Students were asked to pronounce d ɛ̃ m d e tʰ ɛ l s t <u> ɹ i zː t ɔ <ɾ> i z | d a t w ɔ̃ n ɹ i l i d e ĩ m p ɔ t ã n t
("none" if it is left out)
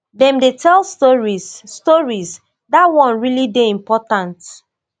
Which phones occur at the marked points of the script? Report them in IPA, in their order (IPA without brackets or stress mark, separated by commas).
ɔ, ɹ